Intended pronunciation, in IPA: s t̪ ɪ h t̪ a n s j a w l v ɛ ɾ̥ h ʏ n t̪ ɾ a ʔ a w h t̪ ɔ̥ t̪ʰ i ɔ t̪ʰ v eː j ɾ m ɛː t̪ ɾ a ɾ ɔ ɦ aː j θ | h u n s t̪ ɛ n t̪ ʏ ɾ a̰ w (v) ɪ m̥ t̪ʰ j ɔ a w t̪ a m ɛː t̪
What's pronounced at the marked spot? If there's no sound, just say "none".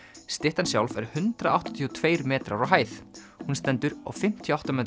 f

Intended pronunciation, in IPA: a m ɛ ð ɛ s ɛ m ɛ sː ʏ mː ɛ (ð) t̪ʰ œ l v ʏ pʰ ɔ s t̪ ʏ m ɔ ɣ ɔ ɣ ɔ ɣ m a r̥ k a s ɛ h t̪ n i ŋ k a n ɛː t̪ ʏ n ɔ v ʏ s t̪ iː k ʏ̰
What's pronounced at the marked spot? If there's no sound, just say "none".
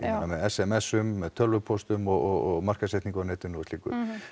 ð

